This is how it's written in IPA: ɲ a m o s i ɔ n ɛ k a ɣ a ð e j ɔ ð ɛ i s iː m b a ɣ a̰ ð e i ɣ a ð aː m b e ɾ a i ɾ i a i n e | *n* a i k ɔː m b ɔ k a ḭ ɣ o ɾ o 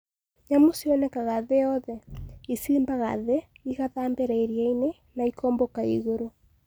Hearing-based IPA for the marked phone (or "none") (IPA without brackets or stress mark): n